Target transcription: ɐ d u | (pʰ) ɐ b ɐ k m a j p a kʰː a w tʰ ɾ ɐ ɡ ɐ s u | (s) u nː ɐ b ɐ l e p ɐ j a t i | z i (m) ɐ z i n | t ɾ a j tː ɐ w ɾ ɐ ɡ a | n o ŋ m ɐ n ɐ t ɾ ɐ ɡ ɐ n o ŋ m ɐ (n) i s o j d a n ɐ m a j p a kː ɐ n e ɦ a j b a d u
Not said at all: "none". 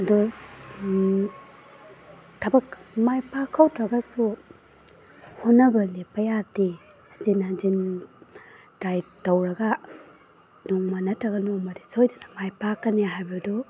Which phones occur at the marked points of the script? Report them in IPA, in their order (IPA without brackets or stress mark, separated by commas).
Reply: tʰ, h, n, d